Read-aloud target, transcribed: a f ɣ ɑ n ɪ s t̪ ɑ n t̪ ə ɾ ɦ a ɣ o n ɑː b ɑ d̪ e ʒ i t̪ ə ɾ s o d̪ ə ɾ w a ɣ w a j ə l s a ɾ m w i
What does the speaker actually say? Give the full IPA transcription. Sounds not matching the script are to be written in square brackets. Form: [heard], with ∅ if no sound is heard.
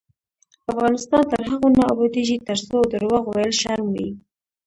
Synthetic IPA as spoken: a f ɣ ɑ n ɪ s t̪ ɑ n t̪ ə ɾ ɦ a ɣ o n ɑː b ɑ d̪ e ʒ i t̪ ə ɾ s o d̪ ə ɾ w a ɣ w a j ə l [ʃ] a ɾ m w i